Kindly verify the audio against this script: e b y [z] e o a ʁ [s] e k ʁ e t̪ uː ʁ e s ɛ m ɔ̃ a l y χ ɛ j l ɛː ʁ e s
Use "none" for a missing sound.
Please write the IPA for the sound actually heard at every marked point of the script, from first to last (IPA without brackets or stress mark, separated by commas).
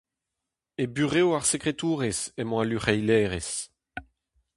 ʁ, s